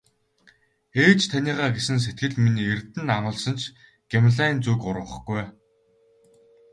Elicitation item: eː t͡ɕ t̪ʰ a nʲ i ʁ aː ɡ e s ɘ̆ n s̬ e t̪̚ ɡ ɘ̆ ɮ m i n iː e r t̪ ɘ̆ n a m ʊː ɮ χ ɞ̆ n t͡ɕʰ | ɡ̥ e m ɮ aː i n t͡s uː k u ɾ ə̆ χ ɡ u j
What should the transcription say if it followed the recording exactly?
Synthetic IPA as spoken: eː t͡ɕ t̪ʰ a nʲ iː ʁ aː ɡ e s ɘ̆ n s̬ e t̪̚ ɡ ɘ̆ ɮ m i n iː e r t̪ ɘ̆ n a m ʊː ɮ s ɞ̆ n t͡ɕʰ | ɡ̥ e m ɮ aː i n t͡s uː k ʊ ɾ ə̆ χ ɡ u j